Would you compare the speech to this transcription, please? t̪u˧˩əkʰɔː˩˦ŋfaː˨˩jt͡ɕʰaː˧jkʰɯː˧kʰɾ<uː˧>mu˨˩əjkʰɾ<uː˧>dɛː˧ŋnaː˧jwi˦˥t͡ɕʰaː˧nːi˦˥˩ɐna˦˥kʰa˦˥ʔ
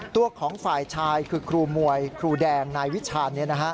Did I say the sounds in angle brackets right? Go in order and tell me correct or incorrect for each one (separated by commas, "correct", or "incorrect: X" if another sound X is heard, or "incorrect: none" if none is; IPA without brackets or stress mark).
correct, correct